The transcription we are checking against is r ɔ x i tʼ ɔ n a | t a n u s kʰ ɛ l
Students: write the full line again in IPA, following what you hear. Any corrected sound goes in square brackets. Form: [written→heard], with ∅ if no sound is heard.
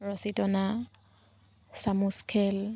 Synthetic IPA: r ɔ [x→s] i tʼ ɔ n a | [t→s] a [n→m] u s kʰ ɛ l